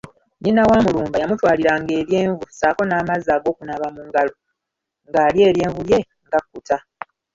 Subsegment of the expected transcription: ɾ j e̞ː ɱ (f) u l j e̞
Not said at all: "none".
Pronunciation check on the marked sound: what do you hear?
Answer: v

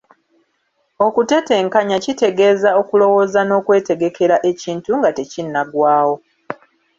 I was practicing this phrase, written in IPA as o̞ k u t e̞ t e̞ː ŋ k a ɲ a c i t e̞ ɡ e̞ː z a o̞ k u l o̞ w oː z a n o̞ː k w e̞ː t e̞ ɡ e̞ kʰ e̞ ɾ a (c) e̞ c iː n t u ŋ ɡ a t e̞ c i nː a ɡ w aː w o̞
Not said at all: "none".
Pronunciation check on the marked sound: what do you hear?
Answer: ʔ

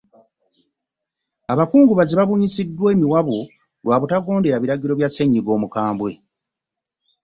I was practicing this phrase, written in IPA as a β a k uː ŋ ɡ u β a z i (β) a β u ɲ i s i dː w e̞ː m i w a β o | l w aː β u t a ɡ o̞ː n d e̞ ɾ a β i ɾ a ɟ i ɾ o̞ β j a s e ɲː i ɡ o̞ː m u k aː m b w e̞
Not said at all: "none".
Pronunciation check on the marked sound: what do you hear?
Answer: β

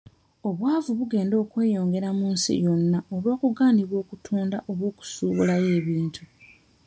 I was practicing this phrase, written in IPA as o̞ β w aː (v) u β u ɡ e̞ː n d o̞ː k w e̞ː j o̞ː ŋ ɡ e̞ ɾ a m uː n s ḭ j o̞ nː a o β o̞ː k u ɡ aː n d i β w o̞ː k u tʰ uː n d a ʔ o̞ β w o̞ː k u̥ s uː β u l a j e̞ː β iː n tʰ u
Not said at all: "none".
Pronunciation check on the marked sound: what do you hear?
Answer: v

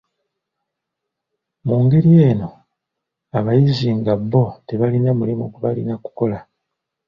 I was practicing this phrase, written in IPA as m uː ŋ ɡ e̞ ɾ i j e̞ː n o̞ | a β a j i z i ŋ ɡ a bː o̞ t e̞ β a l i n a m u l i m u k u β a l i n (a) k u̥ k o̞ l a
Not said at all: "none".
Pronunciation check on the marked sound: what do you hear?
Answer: a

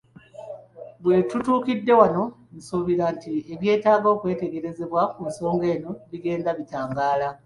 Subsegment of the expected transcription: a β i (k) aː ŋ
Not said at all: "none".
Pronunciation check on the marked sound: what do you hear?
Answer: t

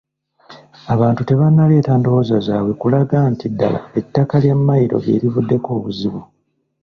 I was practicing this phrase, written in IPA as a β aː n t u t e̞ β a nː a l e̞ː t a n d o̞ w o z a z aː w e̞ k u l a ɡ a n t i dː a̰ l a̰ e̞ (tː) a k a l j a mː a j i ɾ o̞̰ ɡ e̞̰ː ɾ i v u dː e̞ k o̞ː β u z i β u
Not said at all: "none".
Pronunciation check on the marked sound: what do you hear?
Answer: tː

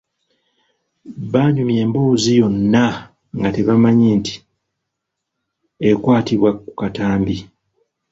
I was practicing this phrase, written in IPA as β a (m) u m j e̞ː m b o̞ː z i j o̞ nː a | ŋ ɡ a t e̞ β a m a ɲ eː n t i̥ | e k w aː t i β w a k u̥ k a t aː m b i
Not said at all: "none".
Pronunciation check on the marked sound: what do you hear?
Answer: ɲ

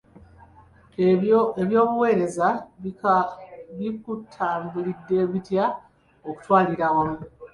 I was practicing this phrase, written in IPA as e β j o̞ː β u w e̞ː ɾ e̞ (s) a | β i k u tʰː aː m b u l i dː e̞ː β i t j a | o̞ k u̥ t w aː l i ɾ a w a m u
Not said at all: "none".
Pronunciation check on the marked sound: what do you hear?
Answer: z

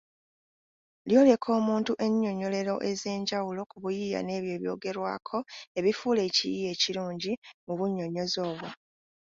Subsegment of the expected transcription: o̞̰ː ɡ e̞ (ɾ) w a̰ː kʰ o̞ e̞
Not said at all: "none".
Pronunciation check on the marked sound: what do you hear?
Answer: ɾ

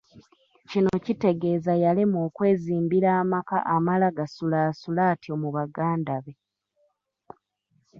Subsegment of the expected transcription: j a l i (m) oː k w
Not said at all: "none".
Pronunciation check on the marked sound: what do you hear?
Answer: m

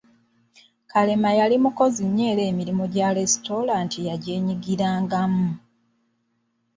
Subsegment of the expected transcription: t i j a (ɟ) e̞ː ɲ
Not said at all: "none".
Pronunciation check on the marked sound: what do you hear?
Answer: ɟ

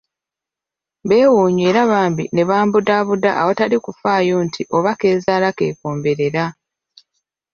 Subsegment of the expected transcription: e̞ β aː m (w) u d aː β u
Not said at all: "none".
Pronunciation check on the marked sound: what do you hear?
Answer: b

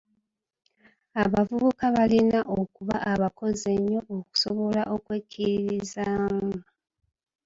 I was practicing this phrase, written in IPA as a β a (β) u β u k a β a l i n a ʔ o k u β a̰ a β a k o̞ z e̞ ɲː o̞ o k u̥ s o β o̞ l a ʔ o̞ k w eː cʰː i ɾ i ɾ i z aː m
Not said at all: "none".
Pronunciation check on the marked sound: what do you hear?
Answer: v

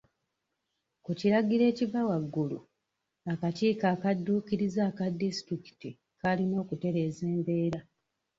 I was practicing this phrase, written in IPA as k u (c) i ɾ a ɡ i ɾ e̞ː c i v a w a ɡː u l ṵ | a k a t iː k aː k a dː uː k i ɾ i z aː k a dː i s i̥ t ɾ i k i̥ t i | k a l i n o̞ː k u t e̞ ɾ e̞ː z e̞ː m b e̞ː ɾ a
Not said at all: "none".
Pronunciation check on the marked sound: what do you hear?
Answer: c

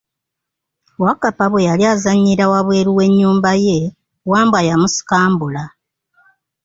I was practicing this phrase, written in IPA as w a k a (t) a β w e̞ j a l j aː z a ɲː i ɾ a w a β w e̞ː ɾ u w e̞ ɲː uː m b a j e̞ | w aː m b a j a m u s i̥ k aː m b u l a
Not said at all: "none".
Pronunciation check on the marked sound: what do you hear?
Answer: p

